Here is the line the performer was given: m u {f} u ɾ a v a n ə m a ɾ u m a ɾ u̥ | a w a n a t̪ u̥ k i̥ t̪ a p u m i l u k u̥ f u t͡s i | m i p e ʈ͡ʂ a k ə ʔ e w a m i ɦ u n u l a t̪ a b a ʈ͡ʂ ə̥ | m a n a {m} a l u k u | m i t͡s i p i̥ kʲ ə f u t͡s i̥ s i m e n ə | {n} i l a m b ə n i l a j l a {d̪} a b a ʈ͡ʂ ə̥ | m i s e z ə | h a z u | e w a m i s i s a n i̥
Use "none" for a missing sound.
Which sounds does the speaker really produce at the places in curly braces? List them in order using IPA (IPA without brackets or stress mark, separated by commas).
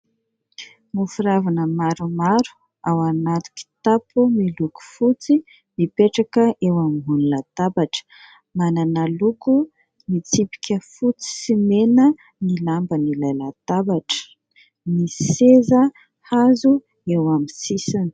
f, n, n, t̪